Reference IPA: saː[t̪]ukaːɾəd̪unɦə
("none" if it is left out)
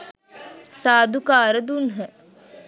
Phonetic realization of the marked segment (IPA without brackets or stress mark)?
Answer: d̪